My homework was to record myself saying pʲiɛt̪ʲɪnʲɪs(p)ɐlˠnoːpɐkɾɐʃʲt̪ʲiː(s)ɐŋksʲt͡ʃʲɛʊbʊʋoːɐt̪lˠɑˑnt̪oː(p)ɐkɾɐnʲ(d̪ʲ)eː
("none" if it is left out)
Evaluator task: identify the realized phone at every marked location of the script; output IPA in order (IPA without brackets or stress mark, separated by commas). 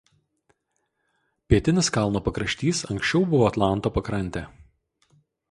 k, s, p, t̪ʲ